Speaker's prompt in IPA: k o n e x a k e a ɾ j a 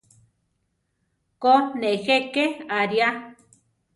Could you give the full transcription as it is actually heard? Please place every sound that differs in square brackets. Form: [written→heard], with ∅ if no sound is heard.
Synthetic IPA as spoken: k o n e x [a→e] k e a ɾ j a

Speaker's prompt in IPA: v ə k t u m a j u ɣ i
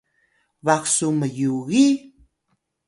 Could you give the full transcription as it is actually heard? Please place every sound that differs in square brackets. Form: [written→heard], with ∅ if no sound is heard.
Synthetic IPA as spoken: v [ə→a] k [t→s] u m [a→ə] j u ɣ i

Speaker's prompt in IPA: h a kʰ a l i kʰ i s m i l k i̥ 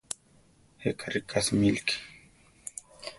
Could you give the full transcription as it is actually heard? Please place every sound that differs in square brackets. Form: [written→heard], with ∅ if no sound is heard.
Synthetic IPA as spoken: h [a→e] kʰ a [l→ɾ] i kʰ [i→a] s m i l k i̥

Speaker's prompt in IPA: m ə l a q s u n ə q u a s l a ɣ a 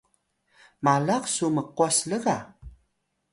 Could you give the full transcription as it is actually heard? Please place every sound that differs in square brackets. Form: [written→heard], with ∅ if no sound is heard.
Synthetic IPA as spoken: m [ə→a] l a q s u [n→m] ə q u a s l [a→ə] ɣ a

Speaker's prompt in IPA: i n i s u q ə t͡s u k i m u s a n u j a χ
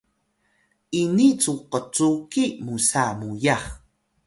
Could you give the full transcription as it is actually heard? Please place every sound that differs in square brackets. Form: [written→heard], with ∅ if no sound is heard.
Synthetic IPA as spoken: i n i [s→t͡s] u q ə t͡s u k i m u s a [n→m] u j a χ

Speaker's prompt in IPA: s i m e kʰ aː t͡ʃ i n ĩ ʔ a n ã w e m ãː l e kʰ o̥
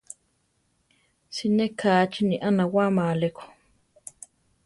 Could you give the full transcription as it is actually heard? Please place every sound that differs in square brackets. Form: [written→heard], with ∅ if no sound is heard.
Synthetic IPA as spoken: s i [m→n] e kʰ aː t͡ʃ i n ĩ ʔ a n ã w [e→a] m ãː l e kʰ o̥

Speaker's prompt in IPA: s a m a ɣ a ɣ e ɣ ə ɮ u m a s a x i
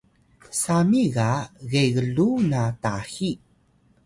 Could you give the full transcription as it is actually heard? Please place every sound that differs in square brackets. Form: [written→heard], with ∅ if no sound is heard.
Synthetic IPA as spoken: s a m [a→i] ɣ a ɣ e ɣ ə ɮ u [m→n] a [s→t] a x i

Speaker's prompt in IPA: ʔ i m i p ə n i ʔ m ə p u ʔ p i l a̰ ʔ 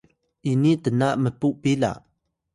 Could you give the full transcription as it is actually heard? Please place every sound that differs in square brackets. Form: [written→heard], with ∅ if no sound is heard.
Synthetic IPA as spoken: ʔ i [m→n] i [p→t] ə n [i→a] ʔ m ə p u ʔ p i l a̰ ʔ

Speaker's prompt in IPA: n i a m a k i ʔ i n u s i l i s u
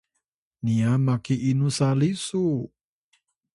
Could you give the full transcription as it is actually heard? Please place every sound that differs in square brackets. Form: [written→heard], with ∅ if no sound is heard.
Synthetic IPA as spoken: n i a m a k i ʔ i n u s [i→a] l i s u

